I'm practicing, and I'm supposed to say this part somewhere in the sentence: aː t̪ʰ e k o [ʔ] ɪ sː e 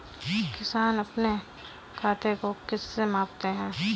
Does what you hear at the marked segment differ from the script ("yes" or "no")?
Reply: yes